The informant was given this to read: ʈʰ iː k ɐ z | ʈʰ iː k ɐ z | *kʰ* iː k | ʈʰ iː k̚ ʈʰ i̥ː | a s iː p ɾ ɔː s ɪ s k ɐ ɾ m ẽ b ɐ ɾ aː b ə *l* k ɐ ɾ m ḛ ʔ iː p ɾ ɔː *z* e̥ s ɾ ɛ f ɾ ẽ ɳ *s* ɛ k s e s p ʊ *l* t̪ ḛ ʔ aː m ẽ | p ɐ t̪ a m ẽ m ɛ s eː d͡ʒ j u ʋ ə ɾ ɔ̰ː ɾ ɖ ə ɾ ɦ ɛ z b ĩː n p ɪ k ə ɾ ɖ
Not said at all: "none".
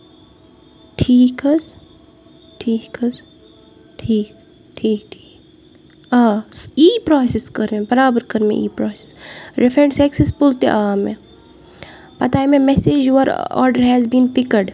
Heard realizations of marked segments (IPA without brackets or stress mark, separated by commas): ʈʰ, ɾ, s, s, l